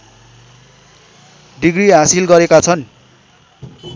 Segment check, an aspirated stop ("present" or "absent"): present